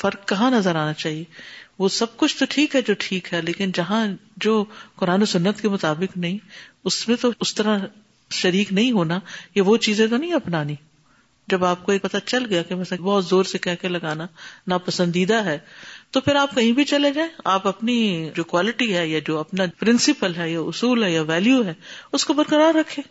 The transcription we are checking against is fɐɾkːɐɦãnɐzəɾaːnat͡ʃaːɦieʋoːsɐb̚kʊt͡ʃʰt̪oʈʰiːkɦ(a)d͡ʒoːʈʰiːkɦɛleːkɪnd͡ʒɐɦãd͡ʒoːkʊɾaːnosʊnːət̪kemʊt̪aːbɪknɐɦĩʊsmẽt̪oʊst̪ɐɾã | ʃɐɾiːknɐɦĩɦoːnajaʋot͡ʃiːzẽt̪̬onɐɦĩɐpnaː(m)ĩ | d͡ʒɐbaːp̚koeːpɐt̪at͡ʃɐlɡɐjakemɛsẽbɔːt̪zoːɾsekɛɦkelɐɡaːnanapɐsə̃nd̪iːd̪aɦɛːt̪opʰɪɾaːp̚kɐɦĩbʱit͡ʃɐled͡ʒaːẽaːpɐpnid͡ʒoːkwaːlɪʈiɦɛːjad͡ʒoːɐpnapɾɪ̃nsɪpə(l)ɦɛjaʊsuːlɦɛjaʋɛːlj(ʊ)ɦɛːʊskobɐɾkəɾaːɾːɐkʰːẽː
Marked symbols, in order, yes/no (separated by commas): no, no, yes, no